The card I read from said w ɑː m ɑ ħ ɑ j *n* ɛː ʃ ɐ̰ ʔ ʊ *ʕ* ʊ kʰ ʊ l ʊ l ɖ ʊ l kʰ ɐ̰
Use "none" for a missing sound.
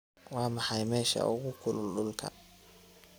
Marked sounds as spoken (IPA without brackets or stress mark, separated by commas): m, ɣ